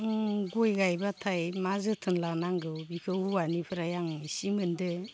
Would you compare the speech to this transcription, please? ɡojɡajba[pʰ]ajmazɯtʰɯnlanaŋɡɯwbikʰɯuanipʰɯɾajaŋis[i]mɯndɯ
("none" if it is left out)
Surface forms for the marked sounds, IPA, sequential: tʰ, i

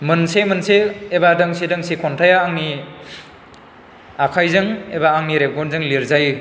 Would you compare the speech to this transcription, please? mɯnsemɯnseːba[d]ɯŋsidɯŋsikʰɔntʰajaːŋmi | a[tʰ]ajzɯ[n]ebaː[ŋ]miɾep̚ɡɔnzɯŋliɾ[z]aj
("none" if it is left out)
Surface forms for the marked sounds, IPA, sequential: d, kʰ, ŋ, ŋ, z

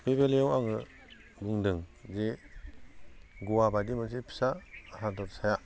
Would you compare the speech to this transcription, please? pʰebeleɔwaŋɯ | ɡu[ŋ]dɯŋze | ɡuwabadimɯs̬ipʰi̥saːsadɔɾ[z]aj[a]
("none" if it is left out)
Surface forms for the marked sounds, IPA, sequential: ŋ, s, a

